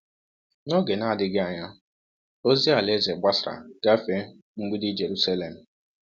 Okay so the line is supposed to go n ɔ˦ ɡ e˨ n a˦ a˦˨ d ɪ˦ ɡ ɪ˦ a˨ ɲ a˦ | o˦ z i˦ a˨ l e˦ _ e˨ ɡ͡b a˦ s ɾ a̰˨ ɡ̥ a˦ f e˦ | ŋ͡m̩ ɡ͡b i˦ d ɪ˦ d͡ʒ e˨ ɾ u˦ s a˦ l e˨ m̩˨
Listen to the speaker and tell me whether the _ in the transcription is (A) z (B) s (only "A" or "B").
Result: A